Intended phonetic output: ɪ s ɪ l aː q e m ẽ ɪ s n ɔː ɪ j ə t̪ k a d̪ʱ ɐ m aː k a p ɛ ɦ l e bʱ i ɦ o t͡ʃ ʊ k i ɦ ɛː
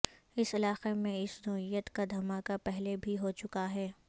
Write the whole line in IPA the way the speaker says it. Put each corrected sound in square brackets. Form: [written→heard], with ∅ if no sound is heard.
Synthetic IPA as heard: ɪ s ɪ l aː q e m ẽ ɪ s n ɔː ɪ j ə t̪ k a d̪ʱ ɐ m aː k a p ɛ ɦ l e bʱ i ɦ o t͡ʃ ʊ k [i→a] ɦ ɛː